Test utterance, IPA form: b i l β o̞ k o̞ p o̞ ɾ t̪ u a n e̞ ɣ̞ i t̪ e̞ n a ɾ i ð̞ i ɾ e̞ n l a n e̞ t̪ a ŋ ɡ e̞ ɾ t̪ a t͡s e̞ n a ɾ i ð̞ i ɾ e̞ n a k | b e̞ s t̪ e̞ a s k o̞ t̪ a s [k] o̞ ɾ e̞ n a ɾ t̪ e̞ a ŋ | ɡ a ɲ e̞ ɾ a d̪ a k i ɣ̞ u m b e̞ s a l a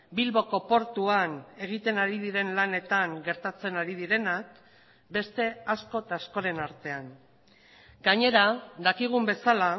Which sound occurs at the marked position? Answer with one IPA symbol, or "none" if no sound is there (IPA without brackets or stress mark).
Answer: k